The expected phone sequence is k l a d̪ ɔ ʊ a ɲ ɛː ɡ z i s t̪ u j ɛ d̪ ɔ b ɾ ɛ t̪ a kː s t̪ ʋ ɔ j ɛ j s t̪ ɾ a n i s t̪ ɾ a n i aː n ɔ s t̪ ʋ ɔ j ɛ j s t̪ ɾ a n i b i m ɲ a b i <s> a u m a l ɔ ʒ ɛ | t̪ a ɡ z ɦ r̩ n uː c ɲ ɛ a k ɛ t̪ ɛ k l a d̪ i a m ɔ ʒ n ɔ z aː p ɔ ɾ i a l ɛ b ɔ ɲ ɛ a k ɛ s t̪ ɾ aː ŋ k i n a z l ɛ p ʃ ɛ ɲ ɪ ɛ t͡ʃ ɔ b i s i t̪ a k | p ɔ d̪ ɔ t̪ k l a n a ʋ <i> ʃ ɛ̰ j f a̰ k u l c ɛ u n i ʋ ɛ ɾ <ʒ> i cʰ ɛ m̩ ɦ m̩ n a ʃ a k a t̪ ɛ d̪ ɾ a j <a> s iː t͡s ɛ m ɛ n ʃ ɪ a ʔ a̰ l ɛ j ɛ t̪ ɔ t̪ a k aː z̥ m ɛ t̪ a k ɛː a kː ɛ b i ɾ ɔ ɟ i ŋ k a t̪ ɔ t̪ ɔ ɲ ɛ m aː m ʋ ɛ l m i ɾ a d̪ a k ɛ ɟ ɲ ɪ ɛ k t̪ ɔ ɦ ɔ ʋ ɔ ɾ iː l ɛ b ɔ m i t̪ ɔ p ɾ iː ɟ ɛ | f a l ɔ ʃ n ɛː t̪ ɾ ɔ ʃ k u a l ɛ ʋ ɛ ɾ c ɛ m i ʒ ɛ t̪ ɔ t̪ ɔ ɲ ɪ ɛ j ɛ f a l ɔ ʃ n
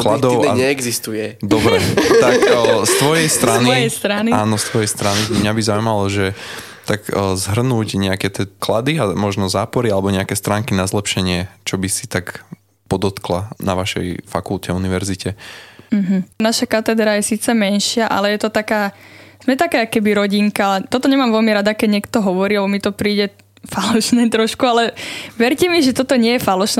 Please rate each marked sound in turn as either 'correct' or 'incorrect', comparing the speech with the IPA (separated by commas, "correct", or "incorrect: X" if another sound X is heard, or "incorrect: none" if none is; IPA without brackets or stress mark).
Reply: incorrect: z, incorrect: a, incorrect: z, incorrect: ɛ